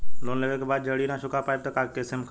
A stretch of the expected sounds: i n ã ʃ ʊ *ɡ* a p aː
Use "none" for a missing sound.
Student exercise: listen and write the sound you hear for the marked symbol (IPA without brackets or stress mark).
k